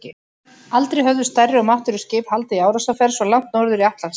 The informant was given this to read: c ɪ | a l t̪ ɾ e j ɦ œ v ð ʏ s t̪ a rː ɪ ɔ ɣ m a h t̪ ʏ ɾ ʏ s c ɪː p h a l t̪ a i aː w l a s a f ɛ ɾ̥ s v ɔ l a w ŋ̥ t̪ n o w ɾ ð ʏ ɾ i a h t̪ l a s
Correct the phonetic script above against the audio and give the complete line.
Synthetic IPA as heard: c ɪ | a l t̪ ɾ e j ɦ œ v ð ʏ s t̪ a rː ɪ ɔ ɣ m a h t̪ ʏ ɾ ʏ s c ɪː p h a l t̪ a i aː w ɾ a s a f ɛ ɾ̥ s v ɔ l a w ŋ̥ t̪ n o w ɾ ð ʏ ɾ i a h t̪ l a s